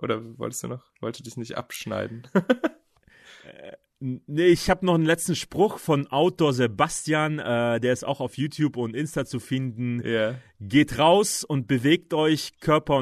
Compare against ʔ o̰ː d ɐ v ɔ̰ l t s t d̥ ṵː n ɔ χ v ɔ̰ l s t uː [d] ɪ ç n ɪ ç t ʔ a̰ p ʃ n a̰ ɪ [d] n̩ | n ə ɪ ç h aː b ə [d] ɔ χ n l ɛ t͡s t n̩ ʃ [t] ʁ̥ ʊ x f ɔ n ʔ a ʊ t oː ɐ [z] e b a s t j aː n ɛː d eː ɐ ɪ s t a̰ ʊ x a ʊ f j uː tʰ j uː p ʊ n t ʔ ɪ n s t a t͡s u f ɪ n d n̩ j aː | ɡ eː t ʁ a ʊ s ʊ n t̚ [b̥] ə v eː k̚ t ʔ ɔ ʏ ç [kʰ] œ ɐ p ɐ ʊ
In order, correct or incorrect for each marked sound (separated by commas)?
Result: correct, correct, incorrect, incorrect, correct, correct, correct